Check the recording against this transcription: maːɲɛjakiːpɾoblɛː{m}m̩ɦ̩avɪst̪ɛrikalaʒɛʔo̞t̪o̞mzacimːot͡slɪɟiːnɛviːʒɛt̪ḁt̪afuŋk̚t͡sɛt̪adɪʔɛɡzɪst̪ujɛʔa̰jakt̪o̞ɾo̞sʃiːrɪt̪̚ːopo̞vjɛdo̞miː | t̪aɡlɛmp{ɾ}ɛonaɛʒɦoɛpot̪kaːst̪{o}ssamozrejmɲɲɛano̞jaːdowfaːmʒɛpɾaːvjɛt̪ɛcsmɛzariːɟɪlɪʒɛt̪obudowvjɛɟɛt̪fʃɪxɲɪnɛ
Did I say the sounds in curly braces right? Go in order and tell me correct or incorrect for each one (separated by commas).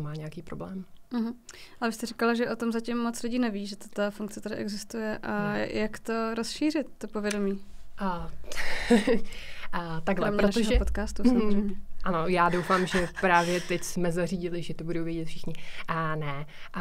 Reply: correct, correct, incorrect